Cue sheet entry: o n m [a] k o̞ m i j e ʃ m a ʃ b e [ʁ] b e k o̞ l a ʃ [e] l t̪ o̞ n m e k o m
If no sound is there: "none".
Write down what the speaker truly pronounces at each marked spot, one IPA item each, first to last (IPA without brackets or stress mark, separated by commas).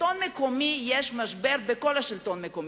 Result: e, ʁ, i